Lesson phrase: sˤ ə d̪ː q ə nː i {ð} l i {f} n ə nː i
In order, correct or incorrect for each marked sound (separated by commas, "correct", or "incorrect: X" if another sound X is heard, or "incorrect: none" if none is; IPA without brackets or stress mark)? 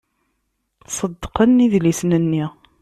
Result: correct, incorrect: s